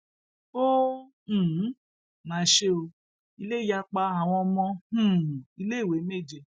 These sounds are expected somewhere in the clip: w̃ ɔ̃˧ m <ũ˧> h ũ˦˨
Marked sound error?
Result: yes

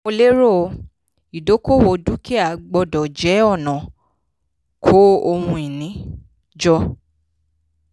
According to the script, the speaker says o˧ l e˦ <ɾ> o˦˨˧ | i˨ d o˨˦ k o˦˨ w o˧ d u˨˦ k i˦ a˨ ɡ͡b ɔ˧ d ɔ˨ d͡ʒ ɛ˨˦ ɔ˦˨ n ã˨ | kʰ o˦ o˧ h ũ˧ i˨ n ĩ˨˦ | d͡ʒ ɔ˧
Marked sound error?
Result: no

